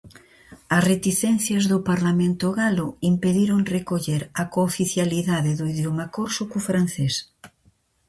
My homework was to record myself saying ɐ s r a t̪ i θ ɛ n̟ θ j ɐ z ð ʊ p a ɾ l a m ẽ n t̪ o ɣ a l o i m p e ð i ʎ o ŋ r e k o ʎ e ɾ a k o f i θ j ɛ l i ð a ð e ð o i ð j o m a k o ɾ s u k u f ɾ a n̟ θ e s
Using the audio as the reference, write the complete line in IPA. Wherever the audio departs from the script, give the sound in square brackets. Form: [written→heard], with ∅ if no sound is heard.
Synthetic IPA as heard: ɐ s r [a→e] t̪ i θ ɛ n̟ θ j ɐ z ð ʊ p a ɾ l a m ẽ n t̪ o ɣ a l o i m p e ð i [ʎ→ɾ] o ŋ r e k o ʎ e ɾ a k o f i θ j [ɛ→a] l i ð a ð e ð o i ð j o m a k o ɾ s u k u f ɾ a n̟ θ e s